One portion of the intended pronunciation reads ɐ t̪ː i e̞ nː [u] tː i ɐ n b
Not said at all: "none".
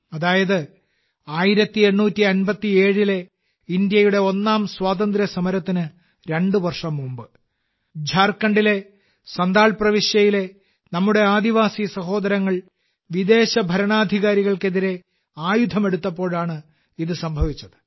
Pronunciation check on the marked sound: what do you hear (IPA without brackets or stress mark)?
uː